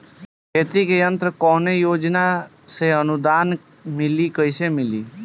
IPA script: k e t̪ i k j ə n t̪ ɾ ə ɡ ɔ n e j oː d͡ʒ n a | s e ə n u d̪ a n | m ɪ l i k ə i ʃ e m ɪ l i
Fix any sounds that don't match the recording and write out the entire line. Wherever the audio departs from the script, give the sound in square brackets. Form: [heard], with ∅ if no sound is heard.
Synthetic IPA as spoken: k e t̪ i k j ə n t̪ ɾ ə [k] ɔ n e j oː d͡ʒ n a | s e ə n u d̪ a n | m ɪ l i k ə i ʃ e m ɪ l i